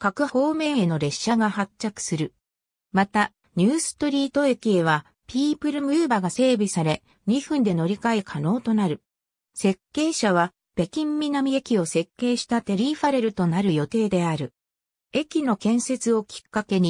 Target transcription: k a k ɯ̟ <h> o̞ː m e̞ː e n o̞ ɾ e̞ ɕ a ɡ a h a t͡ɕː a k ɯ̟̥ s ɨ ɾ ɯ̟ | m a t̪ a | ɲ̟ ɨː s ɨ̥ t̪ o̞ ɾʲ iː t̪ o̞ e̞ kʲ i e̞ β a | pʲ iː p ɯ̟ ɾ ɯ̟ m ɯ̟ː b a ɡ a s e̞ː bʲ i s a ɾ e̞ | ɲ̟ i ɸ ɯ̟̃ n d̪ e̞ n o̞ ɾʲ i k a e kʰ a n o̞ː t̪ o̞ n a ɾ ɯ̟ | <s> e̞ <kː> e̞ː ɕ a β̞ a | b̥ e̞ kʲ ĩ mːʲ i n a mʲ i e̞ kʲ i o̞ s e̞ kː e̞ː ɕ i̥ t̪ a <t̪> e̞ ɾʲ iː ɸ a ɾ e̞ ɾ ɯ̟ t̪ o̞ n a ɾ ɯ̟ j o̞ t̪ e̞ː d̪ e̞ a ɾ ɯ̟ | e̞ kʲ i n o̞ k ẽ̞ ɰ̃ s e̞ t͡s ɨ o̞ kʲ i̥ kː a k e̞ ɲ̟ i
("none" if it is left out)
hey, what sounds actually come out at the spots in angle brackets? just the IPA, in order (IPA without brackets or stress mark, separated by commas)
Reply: h, s, kː, t̪